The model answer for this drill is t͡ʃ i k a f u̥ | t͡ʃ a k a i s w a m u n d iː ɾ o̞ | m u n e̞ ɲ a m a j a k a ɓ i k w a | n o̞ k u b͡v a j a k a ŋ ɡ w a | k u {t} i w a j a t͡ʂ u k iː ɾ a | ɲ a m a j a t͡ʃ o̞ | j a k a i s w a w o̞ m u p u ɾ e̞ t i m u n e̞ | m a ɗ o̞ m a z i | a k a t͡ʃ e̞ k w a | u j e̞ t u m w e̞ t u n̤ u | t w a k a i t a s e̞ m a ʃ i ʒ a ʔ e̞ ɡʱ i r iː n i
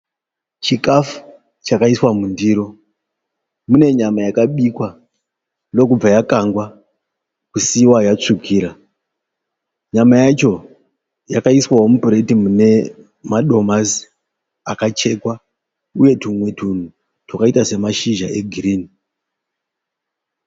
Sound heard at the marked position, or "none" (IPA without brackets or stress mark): s